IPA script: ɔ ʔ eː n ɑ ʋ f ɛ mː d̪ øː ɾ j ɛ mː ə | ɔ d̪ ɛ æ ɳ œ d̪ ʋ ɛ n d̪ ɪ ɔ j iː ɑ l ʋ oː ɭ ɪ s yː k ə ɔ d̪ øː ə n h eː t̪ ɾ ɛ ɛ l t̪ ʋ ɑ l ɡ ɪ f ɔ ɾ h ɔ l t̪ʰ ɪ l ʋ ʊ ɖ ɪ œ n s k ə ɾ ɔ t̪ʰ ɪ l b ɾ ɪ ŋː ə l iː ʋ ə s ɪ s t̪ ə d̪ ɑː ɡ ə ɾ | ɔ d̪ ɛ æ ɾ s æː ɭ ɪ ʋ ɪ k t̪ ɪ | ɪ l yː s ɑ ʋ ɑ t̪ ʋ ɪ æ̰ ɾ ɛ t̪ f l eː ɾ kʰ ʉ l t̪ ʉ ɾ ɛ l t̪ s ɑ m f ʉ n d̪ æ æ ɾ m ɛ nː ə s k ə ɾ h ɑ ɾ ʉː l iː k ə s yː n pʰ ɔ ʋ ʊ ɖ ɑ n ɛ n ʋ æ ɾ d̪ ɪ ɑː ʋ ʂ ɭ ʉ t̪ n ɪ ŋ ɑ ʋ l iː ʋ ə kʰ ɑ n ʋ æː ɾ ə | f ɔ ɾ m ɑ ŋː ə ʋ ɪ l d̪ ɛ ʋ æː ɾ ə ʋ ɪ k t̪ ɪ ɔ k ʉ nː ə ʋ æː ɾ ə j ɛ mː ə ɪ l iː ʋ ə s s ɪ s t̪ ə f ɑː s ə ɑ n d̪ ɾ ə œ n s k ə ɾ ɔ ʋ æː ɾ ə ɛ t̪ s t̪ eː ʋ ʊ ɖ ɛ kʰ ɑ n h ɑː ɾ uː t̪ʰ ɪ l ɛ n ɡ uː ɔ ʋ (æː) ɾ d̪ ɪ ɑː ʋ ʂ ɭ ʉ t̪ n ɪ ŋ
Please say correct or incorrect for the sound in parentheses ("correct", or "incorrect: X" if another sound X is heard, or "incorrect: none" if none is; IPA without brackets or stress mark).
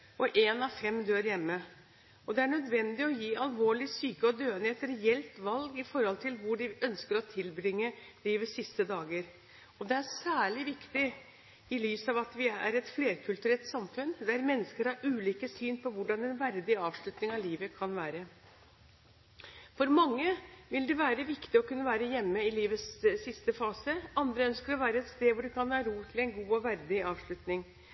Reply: incorrect: æ